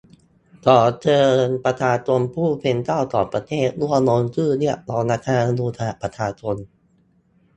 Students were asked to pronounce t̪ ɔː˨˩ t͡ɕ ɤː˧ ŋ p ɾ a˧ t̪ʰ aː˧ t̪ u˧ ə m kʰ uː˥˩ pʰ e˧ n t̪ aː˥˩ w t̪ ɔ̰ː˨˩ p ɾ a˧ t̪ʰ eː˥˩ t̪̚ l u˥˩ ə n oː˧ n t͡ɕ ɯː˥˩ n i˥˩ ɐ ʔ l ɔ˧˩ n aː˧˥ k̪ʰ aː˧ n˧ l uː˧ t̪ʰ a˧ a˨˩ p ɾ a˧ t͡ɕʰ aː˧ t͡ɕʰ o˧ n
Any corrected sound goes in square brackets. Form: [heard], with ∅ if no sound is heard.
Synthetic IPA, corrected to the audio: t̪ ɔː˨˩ t͡ɕ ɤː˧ [n] p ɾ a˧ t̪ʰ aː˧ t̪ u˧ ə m [pʰ] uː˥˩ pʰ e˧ n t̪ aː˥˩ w t̪ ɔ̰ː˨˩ p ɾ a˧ t̪ʰ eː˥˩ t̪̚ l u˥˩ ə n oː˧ n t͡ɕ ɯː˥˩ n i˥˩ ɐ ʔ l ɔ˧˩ n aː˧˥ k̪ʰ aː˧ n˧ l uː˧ t̪ʰ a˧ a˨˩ p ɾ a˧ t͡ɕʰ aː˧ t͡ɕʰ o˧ n